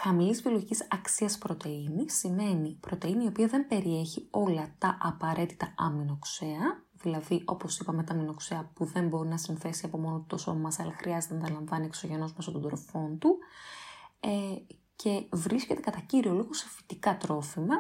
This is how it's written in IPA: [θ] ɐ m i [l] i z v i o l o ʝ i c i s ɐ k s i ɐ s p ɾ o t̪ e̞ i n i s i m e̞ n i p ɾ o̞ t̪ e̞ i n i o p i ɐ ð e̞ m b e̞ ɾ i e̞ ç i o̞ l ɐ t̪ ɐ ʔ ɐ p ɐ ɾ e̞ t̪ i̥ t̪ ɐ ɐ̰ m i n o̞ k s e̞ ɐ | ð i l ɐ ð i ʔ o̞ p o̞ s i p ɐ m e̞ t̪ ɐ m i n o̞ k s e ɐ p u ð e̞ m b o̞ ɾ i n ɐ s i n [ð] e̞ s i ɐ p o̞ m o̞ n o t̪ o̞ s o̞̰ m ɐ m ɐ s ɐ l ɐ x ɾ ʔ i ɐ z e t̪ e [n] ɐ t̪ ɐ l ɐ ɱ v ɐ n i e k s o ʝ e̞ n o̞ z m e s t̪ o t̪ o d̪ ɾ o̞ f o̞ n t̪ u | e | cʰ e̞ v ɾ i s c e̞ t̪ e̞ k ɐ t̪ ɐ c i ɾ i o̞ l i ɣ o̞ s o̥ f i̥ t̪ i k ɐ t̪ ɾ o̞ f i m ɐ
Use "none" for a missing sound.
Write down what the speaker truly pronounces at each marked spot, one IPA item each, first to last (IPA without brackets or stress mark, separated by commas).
x, l, θ, n